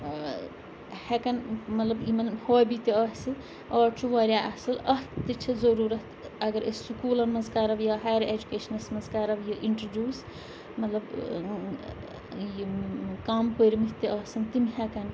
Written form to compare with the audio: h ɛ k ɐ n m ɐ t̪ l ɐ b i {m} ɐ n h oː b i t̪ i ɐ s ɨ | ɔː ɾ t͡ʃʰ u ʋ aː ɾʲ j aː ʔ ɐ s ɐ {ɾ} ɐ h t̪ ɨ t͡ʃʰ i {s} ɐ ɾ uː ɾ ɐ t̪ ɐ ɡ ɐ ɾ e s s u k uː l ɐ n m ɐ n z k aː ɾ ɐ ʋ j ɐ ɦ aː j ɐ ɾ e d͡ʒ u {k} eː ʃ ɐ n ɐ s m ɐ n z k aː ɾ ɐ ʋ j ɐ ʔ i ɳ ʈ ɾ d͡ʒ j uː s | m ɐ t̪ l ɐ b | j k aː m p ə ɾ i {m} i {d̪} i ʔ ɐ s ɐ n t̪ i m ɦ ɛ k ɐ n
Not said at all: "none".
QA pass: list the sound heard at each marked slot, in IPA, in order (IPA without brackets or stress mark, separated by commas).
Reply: m, l, z, k, m, t̪